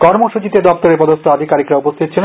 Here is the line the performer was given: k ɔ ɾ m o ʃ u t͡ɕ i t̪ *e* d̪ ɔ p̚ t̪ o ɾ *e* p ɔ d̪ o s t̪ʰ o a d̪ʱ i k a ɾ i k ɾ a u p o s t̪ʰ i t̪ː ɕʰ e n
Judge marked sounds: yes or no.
yes, yes

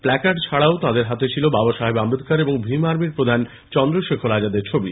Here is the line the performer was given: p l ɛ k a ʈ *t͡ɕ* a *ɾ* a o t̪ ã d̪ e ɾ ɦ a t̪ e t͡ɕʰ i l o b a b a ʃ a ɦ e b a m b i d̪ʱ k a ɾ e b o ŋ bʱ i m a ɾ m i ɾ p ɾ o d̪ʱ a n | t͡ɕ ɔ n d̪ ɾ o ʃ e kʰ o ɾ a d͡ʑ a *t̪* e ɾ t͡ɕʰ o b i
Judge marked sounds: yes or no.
no, no, no

